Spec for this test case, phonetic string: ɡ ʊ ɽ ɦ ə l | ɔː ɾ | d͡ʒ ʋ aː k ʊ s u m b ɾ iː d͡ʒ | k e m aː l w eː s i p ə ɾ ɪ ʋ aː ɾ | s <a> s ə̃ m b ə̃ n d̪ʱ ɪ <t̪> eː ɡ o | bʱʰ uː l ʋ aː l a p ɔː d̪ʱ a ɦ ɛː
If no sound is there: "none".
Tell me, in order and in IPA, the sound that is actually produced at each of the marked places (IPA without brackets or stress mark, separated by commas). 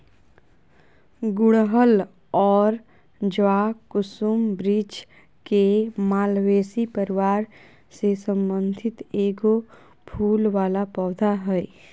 e, t̪